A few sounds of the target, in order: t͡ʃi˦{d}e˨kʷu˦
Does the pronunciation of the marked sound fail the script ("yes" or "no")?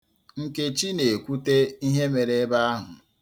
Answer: yes